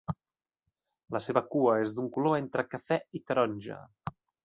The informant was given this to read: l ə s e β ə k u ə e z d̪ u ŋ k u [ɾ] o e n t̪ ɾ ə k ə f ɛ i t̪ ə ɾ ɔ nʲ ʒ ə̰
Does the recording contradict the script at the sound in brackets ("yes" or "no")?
yes